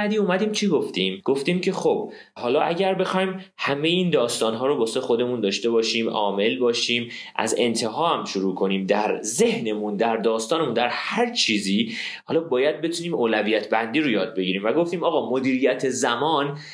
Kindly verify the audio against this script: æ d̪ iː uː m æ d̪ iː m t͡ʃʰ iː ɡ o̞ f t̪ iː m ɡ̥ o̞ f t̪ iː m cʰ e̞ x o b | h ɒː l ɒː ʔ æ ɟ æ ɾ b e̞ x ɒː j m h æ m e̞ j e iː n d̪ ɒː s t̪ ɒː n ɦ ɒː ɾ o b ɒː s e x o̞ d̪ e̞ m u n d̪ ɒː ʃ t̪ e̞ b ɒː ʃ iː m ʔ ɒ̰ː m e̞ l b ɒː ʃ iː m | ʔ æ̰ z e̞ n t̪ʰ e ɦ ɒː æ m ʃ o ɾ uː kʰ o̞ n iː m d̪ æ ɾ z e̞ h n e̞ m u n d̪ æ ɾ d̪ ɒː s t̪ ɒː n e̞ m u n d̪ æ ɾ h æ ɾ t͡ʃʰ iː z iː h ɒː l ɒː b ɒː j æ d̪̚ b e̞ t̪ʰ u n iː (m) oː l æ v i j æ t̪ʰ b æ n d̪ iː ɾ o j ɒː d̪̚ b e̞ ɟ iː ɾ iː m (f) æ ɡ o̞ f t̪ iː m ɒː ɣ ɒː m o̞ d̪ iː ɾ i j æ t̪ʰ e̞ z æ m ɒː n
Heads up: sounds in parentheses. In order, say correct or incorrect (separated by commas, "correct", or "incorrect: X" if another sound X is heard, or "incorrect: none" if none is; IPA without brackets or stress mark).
correct, incorrect: v